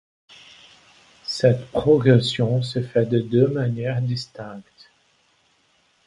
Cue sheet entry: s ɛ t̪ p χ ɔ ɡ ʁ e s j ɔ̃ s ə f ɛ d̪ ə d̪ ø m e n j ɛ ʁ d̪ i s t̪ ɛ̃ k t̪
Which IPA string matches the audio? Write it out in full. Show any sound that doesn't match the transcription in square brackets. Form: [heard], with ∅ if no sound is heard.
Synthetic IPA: s ɛ t̪ p χ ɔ ɡ ʁ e s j ɔ̃ s ə f ɛ d̪ ə d̪ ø m [a] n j ɛ ʁ d̪ i s t̪ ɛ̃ k t̪